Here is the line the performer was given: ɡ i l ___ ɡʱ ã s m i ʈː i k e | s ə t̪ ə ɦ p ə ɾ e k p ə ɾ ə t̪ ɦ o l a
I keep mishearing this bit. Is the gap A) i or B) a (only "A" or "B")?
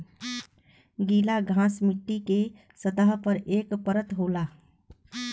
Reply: B